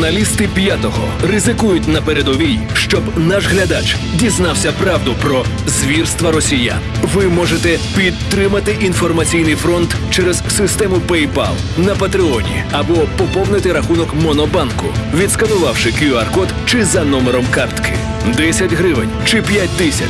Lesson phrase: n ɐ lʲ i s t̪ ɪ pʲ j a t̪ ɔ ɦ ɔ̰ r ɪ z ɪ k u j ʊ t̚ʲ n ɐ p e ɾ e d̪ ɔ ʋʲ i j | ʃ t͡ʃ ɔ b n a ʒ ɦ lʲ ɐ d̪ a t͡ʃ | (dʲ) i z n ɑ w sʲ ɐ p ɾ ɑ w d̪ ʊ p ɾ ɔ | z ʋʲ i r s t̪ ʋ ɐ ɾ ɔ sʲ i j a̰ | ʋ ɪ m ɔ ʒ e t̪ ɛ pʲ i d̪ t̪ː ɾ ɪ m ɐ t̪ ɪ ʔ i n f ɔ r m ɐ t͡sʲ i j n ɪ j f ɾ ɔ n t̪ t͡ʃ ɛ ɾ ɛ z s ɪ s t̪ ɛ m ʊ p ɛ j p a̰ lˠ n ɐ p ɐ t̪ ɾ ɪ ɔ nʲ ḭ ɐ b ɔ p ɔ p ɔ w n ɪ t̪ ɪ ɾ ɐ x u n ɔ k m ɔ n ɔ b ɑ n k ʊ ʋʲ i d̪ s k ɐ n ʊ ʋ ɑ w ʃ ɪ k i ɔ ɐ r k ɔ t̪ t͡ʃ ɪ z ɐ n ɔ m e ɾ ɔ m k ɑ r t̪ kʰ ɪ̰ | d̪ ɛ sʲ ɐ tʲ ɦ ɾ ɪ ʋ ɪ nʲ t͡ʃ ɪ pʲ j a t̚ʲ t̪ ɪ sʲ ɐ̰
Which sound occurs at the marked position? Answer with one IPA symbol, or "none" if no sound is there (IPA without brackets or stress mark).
dʲ